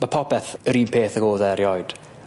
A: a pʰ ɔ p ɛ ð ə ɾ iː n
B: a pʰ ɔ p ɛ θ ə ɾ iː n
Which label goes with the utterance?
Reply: B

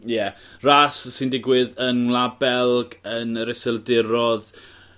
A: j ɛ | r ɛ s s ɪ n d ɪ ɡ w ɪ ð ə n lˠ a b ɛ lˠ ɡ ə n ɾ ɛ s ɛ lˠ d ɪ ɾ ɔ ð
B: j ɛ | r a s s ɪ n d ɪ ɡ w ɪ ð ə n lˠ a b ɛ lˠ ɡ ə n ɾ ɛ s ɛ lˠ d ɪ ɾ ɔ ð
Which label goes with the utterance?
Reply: B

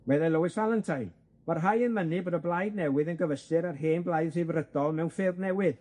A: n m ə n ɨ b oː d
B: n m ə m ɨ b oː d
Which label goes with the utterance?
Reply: A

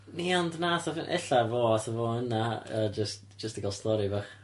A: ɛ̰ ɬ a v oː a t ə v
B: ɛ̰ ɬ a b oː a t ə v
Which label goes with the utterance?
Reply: A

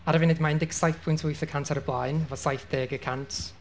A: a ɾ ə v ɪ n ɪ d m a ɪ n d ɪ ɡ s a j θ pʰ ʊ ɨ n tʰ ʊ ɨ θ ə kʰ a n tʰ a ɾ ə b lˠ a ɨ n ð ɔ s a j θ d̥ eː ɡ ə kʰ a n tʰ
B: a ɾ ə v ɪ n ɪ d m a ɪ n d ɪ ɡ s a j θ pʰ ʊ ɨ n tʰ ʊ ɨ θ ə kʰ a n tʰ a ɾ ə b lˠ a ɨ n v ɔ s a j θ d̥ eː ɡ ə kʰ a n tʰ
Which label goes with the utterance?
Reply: B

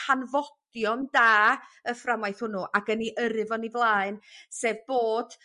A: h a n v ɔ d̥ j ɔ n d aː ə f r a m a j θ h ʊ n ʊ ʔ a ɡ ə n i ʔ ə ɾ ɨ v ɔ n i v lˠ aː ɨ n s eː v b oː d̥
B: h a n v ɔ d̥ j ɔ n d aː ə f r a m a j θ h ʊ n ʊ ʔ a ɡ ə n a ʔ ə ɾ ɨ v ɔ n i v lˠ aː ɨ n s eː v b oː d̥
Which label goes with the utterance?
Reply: A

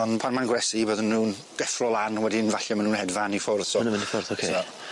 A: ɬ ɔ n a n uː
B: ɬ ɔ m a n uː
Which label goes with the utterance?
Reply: B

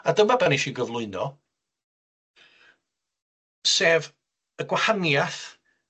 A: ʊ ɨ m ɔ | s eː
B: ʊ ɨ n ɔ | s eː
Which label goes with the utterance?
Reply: B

